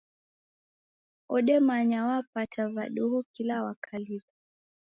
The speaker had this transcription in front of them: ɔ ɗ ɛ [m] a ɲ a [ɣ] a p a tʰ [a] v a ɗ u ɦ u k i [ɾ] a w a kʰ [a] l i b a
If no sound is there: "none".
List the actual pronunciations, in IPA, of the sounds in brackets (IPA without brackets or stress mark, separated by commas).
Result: m, w, a, l, a